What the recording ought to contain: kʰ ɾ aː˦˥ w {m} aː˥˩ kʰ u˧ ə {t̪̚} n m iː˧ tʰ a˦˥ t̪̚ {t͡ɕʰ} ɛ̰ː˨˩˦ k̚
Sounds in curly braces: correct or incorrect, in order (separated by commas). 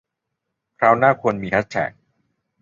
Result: incorrect, incorrect, correct